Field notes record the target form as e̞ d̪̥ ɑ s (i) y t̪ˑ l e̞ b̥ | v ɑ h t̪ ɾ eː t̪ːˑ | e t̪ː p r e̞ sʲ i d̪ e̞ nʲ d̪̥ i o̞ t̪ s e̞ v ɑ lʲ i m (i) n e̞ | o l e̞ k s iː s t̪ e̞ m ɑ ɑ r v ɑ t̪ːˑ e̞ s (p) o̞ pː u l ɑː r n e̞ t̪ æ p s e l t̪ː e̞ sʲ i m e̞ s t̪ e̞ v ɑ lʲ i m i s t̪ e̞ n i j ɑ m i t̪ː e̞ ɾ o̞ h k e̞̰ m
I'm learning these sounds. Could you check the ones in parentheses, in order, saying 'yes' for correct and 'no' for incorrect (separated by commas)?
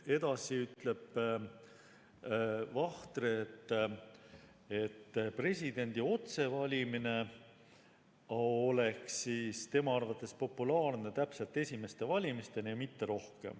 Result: yes, yes, yes